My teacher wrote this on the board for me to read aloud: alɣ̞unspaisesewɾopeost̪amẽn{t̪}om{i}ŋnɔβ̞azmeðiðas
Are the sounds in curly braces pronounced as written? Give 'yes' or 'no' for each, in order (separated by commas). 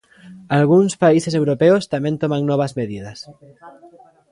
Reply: yes, no